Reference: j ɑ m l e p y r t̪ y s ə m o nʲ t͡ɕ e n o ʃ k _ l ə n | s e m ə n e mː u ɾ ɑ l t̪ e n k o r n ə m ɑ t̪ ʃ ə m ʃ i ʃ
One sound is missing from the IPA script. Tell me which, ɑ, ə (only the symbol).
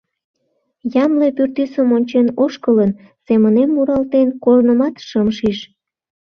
ə